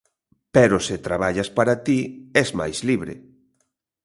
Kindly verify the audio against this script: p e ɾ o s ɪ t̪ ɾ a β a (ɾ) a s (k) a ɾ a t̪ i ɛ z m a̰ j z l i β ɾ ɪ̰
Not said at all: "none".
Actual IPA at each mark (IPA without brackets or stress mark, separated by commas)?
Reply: ʎ, p